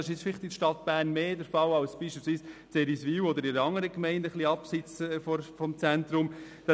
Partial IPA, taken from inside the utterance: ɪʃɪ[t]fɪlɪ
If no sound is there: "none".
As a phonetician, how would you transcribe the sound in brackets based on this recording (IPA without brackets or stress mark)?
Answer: t͡s